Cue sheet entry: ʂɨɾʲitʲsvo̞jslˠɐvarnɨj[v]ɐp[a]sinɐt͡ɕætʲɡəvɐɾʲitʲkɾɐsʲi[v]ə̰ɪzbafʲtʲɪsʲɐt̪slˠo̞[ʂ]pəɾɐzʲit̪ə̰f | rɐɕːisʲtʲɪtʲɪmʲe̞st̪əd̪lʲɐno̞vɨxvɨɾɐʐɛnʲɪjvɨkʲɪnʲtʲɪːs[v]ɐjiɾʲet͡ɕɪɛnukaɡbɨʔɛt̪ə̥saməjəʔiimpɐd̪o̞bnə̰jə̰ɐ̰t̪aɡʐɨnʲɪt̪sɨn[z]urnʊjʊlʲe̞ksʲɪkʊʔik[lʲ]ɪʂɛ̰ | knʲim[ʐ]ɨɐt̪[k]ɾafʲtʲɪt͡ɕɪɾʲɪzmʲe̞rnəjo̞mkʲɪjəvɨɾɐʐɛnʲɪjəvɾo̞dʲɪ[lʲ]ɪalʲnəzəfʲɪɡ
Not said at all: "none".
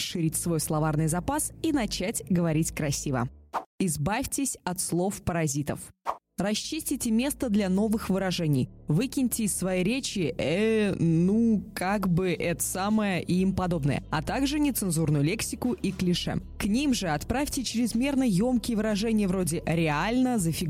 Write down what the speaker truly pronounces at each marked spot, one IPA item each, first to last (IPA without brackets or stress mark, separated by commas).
z, a, v, f, v, z, lʲ, ʐ, p, ɾʲ